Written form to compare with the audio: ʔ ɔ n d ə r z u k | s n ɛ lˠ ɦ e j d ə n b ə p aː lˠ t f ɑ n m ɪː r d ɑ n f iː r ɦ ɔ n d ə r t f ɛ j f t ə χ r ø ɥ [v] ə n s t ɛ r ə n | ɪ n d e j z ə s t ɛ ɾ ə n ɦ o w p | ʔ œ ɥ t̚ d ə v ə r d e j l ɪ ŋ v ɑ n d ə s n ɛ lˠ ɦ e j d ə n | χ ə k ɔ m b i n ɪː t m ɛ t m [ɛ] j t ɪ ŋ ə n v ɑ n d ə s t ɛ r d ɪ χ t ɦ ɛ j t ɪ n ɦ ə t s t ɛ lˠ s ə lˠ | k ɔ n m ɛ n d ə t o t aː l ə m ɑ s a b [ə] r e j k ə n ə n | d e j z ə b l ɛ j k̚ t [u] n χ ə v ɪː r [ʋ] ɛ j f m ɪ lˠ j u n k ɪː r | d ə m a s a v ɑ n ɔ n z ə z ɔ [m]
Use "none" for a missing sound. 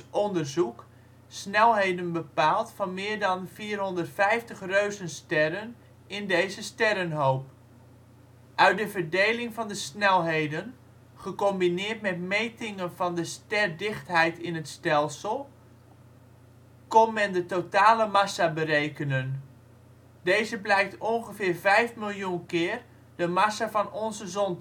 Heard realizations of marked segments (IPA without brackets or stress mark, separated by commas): z, e, ə, ɔ, v, n